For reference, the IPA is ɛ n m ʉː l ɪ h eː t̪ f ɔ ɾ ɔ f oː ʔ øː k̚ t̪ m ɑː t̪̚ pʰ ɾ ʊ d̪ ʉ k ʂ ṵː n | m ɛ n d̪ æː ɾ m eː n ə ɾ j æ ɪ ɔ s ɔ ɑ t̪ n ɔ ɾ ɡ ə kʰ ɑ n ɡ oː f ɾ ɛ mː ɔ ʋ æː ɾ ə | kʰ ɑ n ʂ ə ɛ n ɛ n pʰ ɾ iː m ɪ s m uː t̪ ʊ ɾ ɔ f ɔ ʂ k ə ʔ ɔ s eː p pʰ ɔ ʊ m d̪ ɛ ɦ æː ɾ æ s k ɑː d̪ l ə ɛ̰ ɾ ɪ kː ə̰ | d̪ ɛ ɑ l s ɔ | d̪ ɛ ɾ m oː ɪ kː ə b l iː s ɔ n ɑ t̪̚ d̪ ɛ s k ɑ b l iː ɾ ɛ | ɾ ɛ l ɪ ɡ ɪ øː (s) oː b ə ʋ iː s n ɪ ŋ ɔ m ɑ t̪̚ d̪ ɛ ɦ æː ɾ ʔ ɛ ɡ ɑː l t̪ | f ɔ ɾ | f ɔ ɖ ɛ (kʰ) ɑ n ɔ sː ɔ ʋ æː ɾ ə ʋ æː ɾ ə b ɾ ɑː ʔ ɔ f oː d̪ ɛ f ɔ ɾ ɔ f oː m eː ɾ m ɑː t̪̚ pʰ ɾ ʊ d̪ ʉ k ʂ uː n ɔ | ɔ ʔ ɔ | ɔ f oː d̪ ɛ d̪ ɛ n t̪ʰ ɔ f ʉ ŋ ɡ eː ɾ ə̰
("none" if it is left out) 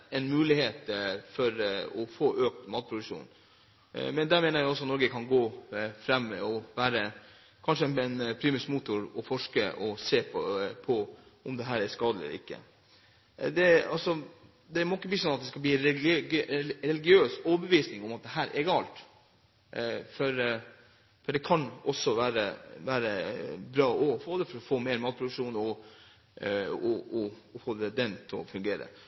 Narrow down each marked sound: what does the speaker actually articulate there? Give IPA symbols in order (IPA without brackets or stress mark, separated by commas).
s, kʰ